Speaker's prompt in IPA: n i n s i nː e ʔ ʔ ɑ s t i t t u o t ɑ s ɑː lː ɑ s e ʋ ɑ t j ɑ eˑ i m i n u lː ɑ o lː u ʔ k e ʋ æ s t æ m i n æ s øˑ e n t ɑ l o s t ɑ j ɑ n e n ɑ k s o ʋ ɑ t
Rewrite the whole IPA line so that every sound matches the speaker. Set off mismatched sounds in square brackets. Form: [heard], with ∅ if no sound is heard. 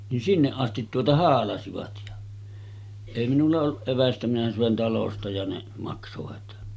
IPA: n i n s i nː e ʔ ʔ ɑ s t i t t u o t ɑ [h] ɑː [l] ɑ s [i] ʋ ɑ t j ɑ eˑ i m i n u lː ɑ o lː u ʔ [ʔ] e ʋ æ s t æ m i n æ s øˑ e n t ɑ l o s t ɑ j ɑ n e [m] ɑ k s o ʋ ɑ t